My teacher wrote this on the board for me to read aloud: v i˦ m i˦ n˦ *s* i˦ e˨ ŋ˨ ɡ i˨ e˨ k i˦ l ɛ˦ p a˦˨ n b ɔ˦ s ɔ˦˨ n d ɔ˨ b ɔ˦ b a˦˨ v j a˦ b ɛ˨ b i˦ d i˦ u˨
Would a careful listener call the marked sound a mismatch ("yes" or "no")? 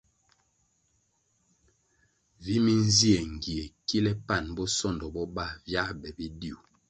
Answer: yes